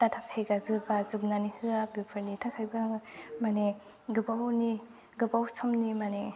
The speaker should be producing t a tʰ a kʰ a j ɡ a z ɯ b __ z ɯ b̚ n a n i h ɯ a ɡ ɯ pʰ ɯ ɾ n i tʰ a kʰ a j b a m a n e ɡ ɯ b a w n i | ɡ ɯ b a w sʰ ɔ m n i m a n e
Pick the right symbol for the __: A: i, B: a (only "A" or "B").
B